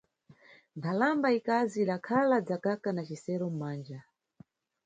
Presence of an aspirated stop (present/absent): present